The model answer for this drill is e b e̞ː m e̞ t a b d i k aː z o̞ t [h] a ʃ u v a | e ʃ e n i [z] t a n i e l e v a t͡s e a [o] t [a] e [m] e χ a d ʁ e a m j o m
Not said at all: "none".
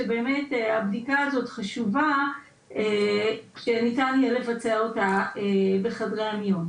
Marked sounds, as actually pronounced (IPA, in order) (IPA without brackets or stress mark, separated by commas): χ, none, o, a, b